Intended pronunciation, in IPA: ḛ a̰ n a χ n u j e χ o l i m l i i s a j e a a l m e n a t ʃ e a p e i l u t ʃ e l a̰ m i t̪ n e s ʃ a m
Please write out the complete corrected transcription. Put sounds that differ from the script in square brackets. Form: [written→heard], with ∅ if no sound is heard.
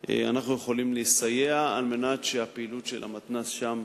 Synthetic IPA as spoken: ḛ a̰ n a χ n u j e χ o l i m l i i s a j e a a l m e n a t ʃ e a p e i l u t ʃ e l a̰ m [i→a] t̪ n [e→a] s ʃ a m